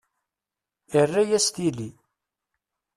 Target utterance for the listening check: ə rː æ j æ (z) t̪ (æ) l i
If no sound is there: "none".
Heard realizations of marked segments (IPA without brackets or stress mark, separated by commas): s, i